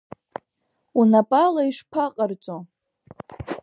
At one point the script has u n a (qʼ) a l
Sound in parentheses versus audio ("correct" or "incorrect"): incorrect